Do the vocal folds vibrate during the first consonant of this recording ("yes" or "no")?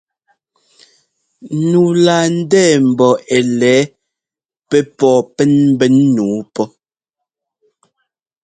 yes